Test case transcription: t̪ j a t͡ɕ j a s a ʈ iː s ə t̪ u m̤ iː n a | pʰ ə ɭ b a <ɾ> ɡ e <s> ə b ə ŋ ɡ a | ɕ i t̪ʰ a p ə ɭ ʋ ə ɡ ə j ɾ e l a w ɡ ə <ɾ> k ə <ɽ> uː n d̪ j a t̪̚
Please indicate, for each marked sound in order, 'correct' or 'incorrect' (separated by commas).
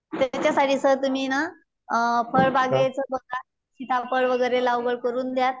incorrect, incorrect, incorrect, incorrect